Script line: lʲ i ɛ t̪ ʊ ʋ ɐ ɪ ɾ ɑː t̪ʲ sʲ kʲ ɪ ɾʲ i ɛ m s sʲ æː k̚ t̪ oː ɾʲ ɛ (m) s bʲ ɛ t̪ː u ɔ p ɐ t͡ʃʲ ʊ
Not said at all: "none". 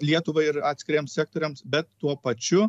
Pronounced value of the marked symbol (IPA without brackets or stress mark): m